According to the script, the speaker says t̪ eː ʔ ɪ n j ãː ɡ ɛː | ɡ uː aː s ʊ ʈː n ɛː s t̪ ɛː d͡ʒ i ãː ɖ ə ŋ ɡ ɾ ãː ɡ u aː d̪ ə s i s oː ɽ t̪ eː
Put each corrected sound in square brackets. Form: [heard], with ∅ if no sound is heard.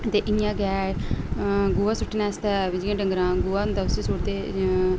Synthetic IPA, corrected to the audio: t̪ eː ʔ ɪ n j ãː ɡ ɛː | ɡ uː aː s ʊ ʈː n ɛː s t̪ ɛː d͡ʒ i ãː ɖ ə ŋ ɡ ɾ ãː ɡ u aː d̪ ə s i s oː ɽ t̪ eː